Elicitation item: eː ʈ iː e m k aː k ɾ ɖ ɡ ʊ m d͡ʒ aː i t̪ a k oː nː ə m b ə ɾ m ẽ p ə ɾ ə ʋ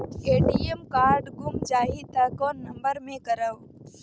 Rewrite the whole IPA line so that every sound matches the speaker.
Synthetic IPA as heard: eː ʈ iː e m k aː ɾ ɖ ɡ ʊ m d͡ʒ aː i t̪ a k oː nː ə m b ə ɾ m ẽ k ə ɾ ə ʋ